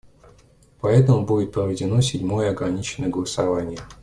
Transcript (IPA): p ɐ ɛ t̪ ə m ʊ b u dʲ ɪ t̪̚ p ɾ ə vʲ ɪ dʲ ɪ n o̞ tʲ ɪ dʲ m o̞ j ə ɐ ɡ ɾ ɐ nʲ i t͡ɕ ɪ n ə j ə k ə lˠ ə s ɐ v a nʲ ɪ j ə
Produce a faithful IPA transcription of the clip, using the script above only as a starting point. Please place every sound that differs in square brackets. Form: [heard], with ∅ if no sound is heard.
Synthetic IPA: p ɐ ɛ t̪ ə m ʊ b u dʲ ɪ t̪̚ p ɾ ə vʲ ɪ dʲ ɪ n o̞ [sʲ] ɪ dʲ m o̞ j ə ɐ ɡ ɾ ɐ nʲ i t͡ɕ ɪ n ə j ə [ɡ] ə lˠ ə s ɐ v a nʲ ɪ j ə